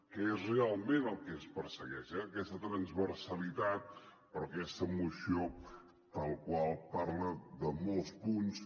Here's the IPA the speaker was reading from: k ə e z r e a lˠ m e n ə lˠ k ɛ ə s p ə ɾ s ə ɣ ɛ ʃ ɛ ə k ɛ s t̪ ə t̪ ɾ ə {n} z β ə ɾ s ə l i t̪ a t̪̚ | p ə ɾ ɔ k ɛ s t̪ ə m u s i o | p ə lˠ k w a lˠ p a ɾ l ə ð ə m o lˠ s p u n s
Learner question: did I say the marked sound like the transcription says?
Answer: yes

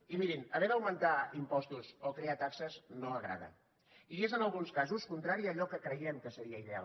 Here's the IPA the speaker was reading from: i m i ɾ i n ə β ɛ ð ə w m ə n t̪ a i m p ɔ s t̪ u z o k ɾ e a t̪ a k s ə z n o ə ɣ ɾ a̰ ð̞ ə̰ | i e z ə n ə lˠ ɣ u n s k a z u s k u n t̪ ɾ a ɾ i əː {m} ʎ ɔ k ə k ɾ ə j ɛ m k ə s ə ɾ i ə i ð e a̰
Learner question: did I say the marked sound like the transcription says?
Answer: no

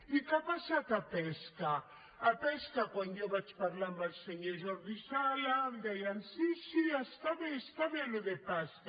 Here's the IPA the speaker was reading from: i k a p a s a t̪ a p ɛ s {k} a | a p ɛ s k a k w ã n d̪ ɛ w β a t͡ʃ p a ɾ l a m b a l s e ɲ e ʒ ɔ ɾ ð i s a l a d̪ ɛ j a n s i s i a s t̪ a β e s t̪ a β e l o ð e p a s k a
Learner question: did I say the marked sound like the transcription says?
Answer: yes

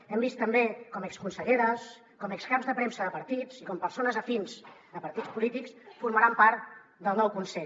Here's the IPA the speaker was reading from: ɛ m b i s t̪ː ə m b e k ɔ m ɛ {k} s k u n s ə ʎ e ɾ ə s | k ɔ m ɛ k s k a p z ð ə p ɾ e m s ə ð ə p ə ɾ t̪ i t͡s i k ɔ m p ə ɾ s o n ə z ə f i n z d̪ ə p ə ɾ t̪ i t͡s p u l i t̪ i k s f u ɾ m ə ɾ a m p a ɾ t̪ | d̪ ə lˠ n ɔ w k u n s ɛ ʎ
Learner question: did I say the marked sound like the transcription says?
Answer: yes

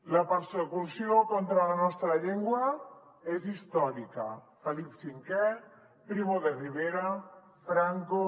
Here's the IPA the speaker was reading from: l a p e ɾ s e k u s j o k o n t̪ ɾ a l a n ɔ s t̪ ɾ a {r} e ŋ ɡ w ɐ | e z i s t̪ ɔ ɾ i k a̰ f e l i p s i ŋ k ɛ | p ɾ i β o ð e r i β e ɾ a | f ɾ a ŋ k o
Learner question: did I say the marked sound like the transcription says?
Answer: no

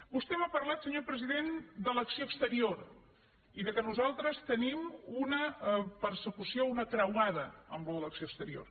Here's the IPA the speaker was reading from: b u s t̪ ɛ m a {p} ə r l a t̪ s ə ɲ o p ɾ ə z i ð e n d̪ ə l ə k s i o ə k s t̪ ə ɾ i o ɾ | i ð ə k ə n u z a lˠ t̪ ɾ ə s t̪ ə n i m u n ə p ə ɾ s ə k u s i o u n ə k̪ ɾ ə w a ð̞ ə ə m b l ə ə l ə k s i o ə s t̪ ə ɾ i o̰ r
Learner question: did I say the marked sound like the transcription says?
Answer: yes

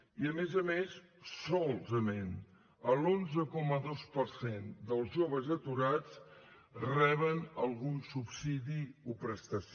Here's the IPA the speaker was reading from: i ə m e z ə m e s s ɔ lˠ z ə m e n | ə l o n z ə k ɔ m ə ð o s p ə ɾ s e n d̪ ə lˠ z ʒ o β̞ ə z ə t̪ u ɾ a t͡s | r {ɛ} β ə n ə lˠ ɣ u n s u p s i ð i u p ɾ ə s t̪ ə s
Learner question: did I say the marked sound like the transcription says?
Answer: yes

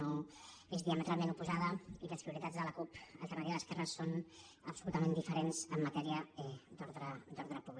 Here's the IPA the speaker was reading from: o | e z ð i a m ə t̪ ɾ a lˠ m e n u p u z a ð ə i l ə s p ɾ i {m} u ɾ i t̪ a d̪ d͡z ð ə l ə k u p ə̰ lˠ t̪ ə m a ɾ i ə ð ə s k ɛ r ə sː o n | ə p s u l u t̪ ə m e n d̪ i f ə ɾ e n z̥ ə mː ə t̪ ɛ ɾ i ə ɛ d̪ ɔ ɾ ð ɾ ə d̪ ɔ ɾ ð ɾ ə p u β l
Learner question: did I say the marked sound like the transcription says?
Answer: no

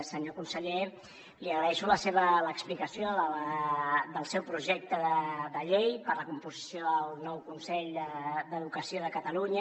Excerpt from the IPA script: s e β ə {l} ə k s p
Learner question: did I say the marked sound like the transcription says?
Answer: yes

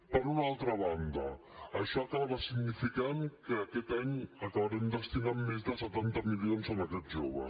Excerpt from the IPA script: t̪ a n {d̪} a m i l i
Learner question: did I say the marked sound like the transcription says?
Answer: no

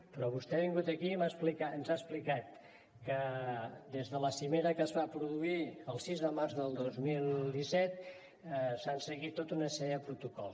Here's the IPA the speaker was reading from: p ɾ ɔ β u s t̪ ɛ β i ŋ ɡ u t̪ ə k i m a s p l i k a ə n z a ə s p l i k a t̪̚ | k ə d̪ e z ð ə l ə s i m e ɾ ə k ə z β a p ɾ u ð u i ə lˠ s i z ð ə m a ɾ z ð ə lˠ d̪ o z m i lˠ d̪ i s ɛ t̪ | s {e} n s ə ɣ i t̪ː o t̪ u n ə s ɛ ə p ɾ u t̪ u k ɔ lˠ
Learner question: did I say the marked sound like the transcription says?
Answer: no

